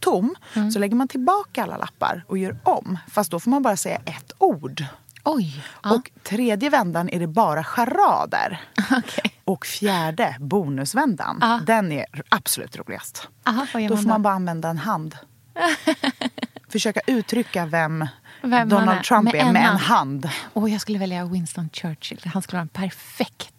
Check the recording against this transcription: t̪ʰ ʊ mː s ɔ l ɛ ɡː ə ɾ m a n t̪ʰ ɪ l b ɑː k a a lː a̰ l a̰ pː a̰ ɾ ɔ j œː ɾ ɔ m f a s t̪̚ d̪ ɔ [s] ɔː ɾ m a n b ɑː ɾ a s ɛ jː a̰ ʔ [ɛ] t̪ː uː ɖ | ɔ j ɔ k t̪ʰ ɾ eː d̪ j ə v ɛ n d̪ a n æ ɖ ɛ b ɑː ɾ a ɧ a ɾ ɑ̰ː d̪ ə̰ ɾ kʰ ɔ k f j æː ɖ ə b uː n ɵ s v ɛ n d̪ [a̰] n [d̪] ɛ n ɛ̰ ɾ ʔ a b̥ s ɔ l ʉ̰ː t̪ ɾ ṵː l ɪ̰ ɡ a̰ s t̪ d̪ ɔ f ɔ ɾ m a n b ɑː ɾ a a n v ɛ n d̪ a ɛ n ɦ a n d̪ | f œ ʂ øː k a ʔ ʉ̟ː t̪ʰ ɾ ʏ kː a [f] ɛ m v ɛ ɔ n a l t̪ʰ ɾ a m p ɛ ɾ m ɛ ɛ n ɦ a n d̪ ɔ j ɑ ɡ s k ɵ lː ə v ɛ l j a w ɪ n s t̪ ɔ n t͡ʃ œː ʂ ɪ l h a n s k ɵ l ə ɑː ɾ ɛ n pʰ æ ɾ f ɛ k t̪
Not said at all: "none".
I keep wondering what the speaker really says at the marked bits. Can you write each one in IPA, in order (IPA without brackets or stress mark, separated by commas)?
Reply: f, ɛ, a̰, d̪, v